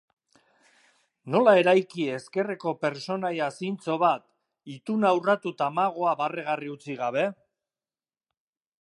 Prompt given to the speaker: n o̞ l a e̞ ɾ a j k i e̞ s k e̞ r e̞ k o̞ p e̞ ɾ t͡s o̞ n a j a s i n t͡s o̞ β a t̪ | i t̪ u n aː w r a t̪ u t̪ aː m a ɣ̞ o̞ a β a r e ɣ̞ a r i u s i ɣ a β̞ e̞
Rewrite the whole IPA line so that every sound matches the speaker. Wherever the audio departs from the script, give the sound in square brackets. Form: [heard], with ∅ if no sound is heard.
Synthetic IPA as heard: n o̞ l a e̞ ɾ a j k i e̞ s k e̞ r e̞ k o̞ p e̞ ɾ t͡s o̞ n a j a s i n t͡s o̞ β a t̪ | i t̪ u n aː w r a t̪ u t̪ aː m a ɣ̞ o̞ a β a r e ɣ̞ a r i u [t͡s] i ɣ a β̞ e̞